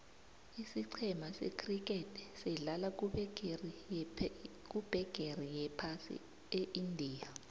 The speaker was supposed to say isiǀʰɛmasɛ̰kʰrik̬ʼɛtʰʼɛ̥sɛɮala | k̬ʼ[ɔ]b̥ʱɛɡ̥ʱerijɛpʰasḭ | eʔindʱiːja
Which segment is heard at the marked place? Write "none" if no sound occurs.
u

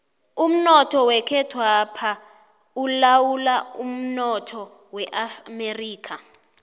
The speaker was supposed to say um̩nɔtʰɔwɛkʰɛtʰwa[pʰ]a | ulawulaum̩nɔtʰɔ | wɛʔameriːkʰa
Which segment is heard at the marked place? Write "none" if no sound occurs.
pʰ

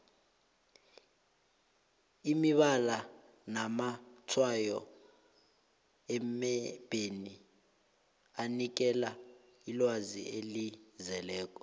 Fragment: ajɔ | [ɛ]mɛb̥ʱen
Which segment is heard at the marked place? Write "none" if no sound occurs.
ɛ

